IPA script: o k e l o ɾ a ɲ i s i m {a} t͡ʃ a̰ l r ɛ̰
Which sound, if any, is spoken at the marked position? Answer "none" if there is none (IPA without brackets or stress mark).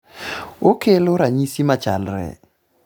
a